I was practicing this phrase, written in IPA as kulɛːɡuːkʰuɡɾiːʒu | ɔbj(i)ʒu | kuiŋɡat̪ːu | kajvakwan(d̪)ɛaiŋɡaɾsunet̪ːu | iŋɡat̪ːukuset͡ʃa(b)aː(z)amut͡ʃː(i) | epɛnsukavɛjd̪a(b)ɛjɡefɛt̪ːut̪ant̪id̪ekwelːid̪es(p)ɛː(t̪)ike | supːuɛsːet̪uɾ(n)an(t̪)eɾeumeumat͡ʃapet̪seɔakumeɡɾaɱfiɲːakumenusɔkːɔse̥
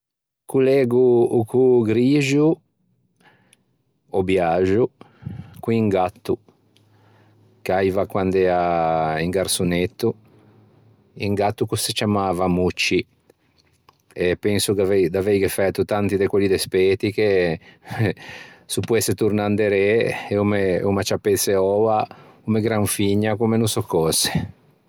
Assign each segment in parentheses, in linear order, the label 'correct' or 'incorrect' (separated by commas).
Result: incorrect, correct, incorrect, incorrect, correct, incorrect, correct, correct, correct, incorrect